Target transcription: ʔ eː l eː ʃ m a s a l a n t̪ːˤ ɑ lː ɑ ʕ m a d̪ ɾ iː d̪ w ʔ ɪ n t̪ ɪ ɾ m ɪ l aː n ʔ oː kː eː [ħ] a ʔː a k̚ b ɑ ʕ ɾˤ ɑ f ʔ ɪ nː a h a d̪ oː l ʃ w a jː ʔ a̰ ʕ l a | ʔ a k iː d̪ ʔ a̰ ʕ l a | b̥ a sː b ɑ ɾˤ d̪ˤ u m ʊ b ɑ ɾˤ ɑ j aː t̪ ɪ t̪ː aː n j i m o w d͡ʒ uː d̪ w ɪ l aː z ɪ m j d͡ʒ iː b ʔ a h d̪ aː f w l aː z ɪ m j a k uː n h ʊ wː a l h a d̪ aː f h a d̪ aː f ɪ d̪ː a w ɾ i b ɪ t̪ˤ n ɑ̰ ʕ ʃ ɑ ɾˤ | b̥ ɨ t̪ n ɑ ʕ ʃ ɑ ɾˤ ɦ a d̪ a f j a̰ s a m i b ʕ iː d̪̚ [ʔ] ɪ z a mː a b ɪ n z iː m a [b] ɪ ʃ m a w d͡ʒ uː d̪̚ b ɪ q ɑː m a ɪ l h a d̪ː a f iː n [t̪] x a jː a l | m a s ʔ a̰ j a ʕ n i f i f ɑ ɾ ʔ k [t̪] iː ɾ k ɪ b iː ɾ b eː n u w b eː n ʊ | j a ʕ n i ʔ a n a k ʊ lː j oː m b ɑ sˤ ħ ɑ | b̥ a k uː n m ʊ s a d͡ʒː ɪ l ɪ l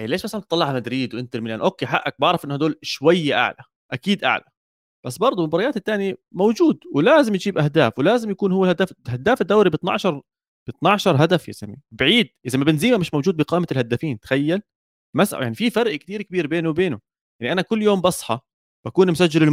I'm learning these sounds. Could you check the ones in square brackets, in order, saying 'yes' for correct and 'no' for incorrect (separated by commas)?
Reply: yes, yes, no, yes, yes